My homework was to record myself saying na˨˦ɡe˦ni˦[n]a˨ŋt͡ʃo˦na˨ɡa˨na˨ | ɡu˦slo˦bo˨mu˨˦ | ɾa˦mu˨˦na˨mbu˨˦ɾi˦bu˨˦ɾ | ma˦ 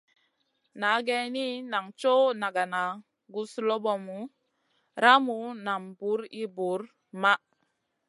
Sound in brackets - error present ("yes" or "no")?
no